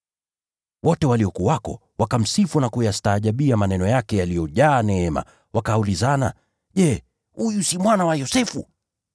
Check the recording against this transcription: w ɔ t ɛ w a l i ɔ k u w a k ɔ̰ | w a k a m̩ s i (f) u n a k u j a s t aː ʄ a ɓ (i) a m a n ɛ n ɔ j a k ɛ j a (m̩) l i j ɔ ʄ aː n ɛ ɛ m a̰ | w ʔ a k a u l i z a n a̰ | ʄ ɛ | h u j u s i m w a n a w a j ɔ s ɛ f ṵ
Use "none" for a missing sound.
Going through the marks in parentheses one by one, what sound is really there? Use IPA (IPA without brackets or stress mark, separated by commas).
f, i, none